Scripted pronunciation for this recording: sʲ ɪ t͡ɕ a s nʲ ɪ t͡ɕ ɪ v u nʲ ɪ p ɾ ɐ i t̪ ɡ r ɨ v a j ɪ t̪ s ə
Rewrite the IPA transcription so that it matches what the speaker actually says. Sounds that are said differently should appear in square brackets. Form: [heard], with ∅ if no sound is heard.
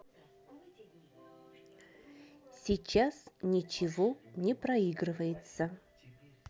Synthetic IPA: sʲ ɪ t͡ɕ a s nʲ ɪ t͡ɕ ɪ v [o] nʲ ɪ p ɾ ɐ i [∅] ɡ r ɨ v [ə] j ɪ t̪ s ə